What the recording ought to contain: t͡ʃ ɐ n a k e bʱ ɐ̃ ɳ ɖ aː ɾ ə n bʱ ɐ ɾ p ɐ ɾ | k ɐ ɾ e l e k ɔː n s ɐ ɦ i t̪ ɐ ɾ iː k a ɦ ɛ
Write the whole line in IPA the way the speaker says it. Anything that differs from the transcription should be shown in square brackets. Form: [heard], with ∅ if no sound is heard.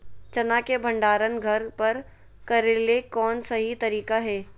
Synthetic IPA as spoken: t͡ʃ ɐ n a k e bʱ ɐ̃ ɳ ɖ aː ɾ ə n [ɡʱ] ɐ ɾ p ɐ ɾ | k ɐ ɾ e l e k ɔː n s ɐ ɦ i t̪ ɐ ɾ iː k a ɦ [ɛː]